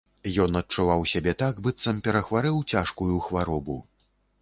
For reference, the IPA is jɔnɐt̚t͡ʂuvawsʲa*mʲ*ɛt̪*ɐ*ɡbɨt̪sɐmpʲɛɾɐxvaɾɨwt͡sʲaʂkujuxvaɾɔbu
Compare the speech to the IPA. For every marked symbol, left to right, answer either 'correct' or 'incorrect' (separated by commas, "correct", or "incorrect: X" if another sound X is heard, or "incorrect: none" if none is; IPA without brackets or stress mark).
incorrect: bʲ, incorrect: a